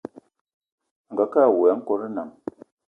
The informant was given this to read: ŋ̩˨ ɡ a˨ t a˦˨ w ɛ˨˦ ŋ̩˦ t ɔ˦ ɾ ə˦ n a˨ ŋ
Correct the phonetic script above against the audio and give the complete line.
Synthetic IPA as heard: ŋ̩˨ ɡ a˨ k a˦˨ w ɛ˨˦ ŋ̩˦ k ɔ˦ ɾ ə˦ n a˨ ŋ